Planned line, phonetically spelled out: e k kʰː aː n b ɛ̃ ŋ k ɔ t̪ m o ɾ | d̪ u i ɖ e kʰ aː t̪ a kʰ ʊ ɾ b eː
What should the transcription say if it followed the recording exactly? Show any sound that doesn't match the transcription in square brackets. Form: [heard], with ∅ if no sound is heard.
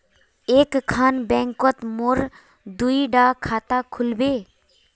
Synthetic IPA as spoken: e k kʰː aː n b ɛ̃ ŋ k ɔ t̪ m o ɾ | d̪ u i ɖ [a] kʰ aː t̪ a kʰ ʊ [l] b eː